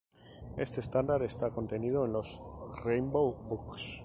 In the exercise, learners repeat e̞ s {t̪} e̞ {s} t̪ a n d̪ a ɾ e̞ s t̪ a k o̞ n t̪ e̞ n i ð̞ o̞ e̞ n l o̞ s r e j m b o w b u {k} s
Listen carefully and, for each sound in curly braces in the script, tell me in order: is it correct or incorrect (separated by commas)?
correct, correct, correct